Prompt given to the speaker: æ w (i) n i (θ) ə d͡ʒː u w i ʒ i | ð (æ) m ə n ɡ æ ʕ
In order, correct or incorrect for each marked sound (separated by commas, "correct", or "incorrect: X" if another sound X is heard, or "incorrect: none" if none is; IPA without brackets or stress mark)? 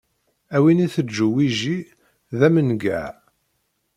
correct, correct, correct